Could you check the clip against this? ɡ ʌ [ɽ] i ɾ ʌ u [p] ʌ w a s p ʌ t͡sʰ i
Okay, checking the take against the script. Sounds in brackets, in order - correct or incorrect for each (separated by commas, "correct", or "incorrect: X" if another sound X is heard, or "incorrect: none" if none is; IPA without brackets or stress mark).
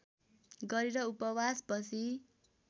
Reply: incorrect: ɾ, correct